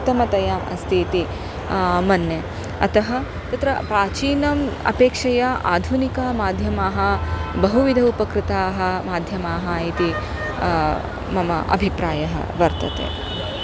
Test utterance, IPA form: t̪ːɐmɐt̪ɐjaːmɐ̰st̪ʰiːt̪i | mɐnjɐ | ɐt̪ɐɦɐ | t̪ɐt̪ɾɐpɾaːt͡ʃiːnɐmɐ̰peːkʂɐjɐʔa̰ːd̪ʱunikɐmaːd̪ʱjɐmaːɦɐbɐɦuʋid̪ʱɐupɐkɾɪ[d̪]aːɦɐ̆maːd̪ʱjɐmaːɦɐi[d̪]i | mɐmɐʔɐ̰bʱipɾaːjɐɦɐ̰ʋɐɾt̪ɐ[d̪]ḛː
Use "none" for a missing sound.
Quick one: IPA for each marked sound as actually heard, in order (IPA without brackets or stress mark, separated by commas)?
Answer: t̪, t̪, t̪